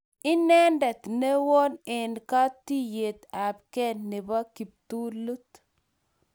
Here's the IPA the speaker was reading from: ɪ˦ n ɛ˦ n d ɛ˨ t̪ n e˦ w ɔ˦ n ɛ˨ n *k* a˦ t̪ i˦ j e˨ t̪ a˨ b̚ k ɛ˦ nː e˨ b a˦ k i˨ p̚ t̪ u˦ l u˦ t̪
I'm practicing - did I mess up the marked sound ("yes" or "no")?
no